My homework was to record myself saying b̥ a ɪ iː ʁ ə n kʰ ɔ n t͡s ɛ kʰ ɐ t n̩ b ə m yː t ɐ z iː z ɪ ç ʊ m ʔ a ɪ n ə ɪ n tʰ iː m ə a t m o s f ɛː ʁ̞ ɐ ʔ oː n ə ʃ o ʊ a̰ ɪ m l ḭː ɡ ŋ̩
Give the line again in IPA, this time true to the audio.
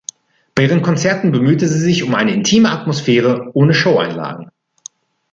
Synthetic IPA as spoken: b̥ a ɪ iː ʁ ə n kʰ ɔ n t͡s ɛ ɐ t n̩ b ə m yː t ə z iː z ɪ ç ʊ m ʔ a ɪ n ə ɪ n tʰ iː m ə a t m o s f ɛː ʁ̞ ə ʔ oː n ə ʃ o ʊ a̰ ɪ n l a̰ː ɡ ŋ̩

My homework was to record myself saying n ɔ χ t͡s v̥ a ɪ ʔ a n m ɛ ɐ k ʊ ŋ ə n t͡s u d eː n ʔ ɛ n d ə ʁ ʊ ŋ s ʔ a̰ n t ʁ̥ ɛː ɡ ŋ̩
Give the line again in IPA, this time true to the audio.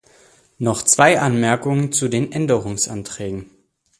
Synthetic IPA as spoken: n ɔ χ t͡s v̥ a ɪ ʔ a n m ɛ ɐ k ʊ ŋ ə n t͡s u d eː n ʔ ɛ n d ə ʁ ʊ ŋ s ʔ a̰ n t ʁ̥ ɛː ɡ ŋ̩

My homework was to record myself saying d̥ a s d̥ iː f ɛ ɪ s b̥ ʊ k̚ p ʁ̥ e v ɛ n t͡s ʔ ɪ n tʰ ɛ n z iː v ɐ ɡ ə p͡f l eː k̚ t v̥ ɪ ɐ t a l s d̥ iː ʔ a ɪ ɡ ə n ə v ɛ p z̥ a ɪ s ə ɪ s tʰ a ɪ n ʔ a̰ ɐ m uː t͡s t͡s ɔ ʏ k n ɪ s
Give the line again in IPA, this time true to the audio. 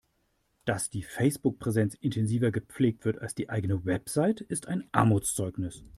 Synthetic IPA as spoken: d̥ a s d̥ iː f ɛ ɪ s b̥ ʊ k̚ p ʁ̥ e z ɛ n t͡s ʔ ɪ n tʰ ɛ n z iː v ɐ ɡ ə p͡f l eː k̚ t v̥ ɪ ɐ t a l s d̥ iː ʔ a ɪ ɡ ə n ə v ɛ p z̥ a ɪ t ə ɪ s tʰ a ɪ n ʔ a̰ ɐ m uː t͡s t͡s ɔ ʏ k n ɪ s

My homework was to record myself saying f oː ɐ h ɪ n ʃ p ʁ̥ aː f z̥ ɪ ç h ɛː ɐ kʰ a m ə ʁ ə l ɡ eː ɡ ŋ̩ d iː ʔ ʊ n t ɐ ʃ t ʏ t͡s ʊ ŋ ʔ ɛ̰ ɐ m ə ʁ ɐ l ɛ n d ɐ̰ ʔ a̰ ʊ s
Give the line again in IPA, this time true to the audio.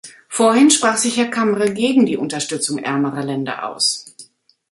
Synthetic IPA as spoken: f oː ɐ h ɪ n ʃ p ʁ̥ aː χ z̥ ɪ ç h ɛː ɐ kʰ a m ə ʁ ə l ɡ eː ɡ ŋ̩ d iː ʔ ʊ n t ɐ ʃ t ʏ t͡s ʊ ŋ ʔ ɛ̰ ɐ m ə ʁ ɐ l ɛ n d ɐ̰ ʔ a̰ ʊ s

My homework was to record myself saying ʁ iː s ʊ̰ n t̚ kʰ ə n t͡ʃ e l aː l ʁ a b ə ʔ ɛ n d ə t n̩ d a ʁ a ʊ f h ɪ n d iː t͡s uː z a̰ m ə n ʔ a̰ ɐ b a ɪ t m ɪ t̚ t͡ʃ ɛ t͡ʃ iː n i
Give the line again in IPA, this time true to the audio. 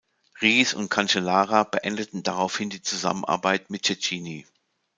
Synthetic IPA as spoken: ʁ iː s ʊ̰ n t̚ kʰ a n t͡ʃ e l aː ʁ a b ə ʔ ɛ n d ə t n̩ d a ʁ a ʊ f h ɪ n d iː t͡s u z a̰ m ə n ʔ a̰ ɐ b a ɪ t m ɪ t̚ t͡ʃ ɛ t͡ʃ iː n i

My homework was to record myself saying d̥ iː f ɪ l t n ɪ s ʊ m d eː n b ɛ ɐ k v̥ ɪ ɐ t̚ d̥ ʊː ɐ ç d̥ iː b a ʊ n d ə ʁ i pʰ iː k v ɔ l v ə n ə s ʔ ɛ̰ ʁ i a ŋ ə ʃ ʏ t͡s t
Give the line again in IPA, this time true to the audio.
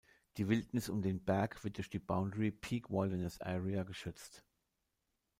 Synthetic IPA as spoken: d̥ iː v ɪ l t n ɪ s ʊ m d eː n b ɛ ɐ k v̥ ɪ ɐ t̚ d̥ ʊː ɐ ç d̥ iː b a ʊ n d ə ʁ i pʰ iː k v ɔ l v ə n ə s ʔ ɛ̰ ʁ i a ɡ ə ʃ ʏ t͡s t

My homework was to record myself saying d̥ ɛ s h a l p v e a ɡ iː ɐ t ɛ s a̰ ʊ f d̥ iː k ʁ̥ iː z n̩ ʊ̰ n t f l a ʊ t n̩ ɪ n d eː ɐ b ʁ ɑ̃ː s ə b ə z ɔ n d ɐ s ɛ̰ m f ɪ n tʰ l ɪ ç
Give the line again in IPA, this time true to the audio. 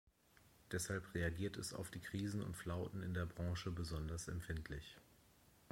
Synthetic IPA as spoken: d̥ ɛ s h a l p ʁ e a ɡ iː ɐ t ɛ s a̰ ʊ f d̥ iː k ʁ̥ iː z n̩ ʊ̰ n t f l a ʊ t n̩ ɪ n d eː ɐ b ʁ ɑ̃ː ʃ ə b ə z ɔ n d ɐ s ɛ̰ m f ɪ n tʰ l ɪ ç

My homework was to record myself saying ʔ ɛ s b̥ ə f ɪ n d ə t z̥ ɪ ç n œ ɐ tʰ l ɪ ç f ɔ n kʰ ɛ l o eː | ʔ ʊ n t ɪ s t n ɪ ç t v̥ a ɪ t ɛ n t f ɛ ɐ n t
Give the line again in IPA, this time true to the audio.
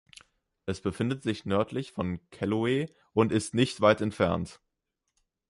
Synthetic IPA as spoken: ʔ ɛ s b̥ ə f ɪ n d ə t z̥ ɪ ç n œ ɐ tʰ l ɪ ç f ɔ n kʰ ɛ l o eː | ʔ ʊ n t ɪ s t n ɪ ç t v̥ a ɪ t ɛ n t f ɛ ɐ n t

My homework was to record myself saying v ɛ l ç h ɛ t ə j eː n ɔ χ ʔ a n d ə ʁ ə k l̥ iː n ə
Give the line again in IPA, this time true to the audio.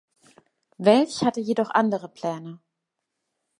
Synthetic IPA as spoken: v ɛ l ç h a t ə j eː d ɔ χ ʔ a n d ə ʁ ə p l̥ ɛː n ə

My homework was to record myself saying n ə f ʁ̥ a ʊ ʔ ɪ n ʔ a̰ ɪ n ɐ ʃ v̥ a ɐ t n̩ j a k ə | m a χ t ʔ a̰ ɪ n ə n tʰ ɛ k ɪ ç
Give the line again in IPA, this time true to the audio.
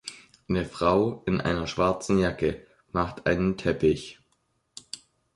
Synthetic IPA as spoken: n ə f ʁ̥ a ʊ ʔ ɪ n ʔ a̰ ɪ n ɐ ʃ v̥ a ɐ t͡s n̩ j a k ə | m a χ t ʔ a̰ ɪ n ə n tʰ ɛ p ɪ ç

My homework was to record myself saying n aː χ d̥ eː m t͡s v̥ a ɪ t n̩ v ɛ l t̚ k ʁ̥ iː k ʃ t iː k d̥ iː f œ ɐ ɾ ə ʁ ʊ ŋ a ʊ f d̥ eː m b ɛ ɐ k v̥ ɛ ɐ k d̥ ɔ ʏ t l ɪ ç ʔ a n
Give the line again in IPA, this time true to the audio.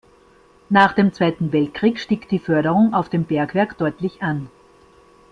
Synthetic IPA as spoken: n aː χ d̥ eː m t͡s v̥ a ɪ t n̩ v ɛ l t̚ k ʁ̥ iː k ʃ t iː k d̥ iː f œ ɐ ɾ ə ʁ ʊ ŋ a ʊ f d̥ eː m b ɛ ɐ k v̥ ɛ ɐ k d̥ ɔ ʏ t l ɪ ç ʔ a n

